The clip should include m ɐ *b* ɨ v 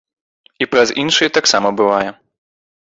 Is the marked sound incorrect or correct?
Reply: correct